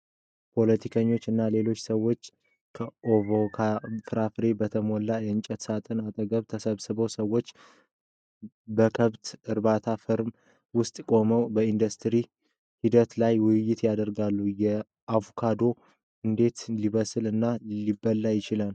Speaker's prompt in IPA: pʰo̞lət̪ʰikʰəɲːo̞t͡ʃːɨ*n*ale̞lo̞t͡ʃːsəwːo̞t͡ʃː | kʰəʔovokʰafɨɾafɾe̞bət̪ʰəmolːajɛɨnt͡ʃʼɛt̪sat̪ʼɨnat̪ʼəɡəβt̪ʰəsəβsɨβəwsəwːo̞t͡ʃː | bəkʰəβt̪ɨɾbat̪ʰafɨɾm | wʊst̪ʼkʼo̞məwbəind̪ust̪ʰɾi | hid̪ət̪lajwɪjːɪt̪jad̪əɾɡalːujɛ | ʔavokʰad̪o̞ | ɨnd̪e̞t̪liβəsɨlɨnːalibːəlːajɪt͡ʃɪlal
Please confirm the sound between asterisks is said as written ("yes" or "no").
no